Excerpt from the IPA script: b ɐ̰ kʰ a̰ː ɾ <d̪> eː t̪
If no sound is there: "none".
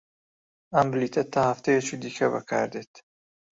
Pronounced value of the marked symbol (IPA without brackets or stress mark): d̪